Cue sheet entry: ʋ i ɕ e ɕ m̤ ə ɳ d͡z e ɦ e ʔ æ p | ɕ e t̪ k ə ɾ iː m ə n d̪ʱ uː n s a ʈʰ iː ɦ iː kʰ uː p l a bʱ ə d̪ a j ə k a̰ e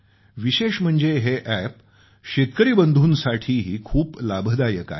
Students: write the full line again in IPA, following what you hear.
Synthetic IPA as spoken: ʋ i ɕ e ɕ m̤ ə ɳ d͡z e ɦ e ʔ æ p | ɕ e t̪ k ə ɾ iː b ə n d̪ʱ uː n s a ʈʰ iː ɦ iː kʰ uː p l a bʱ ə d̪ a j ə k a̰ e